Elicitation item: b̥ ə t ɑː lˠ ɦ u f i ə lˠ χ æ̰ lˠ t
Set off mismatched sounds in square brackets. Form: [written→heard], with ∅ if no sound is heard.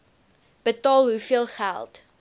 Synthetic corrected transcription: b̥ ə t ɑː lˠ ɦ u f i ə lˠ χ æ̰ lˠ t